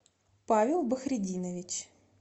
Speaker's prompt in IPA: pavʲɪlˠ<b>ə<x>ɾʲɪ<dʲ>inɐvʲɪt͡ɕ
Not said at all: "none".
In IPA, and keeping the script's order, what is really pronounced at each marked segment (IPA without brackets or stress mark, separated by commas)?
b, x, dʲ